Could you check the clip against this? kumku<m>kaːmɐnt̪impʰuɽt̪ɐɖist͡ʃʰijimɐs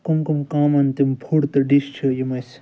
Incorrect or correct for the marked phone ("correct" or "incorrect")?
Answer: correct